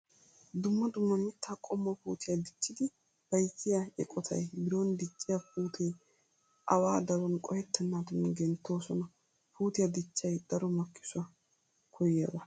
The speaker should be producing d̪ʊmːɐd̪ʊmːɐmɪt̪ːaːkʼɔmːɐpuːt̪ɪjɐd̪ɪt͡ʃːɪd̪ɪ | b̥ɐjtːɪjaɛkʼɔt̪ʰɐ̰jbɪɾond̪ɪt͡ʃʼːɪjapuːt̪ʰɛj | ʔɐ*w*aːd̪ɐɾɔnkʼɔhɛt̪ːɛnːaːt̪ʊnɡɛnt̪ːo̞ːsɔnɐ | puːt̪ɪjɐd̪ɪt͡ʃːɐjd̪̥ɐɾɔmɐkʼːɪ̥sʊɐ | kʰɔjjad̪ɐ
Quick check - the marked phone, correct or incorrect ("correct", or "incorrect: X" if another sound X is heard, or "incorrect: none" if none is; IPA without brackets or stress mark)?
correct